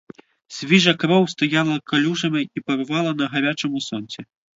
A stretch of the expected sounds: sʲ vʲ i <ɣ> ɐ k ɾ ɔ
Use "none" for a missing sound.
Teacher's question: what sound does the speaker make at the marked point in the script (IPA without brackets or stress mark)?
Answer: ʐ